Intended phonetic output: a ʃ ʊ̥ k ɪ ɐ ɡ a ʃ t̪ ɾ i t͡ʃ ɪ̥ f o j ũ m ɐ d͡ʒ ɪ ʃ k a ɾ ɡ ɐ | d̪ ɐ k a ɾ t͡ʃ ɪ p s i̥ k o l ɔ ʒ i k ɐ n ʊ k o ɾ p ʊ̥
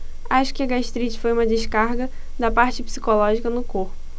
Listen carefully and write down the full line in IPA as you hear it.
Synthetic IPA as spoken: a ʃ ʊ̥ k ɪ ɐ ɡ a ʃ t̪ ɾ i t͡ʃ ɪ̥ f o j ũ m ɐ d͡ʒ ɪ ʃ k a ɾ ɡ ɐ | d̪ ɐ p a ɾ t͡ʃ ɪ p s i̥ k o l ɔ ʒ i k ɐ n ʊ k o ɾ p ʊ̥